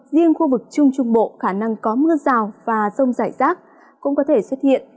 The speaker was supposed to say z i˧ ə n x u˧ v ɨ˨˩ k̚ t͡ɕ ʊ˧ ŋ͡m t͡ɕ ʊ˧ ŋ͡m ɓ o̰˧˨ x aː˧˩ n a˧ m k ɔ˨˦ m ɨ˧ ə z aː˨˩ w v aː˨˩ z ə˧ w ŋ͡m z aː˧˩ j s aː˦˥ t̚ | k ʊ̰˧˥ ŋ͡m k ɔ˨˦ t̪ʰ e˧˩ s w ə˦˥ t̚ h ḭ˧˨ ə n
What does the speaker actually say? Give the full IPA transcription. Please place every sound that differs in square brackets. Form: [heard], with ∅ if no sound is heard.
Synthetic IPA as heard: z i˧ ə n x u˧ v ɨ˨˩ k̚ t͡ɕ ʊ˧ ŋ͡m t͡ɕ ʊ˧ ŋ͡m ɓ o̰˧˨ x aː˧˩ n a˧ [ŋ] k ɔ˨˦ m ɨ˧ ə z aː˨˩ w v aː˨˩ z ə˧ w ŋ͡m z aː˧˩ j [z] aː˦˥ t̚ | k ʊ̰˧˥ ŋ͡m k ɔ˨˦ t̪ʰ e˧˩ s w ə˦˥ t̚ h ḭ˧˨ ə n